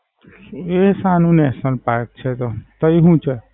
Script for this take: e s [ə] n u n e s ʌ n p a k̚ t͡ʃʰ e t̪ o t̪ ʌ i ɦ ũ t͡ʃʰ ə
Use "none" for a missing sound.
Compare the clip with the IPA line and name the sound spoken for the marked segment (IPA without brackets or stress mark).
a